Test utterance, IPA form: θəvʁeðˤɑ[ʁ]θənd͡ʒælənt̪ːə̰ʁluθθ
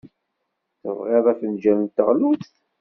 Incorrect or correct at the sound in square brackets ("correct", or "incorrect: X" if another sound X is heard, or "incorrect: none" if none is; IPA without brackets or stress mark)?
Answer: incorrect: none